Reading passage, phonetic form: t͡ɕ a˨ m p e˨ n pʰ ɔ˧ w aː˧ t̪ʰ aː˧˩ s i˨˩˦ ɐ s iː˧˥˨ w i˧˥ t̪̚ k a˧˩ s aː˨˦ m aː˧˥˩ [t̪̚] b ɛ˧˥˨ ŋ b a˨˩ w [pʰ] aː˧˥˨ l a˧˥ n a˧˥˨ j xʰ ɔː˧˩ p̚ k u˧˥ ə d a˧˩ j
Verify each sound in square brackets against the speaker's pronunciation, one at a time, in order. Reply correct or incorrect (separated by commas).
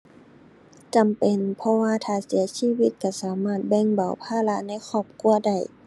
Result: correct, correct